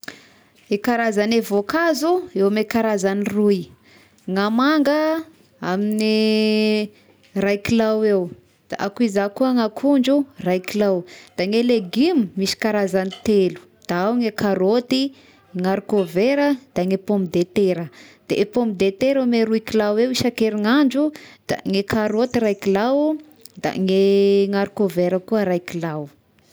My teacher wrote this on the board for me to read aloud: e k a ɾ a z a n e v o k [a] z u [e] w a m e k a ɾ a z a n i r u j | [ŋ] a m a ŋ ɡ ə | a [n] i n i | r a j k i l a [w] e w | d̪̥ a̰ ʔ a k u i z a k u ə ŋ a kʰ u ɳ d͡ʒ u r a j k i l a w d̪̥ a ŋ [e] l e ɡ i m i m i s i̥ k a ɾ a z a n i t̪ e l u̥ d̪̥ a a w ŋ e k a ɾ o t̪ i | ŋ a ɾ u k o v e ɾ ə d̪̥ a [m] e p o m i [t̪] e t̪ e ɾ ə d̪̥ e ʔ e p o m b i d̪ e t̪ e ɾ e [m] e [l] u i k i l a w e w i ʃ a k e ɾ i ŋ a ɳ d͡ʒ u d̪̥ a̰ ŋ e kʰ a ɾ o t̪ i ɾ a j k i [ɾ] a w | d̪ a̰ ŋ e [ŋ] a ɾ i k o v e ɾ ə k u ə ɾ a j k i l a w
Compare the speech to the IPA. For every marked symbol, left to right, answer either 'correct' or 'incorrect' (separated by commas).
correct, correct, correct, incorrect, correct, correct, incorrect, incorrect, correct, incorrect, incorrect, correct